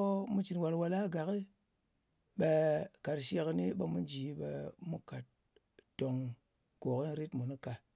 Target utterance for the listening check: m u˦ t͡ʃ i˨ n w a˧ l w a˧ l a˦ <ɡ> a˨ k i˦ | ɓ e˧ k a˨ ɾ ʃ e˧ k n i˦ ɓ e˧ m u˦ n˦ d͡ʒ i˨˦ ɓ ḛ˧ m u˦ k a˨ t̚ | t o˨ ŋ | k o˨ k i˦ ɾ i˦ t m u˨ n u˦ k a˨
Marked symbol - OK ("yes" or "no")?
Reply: yes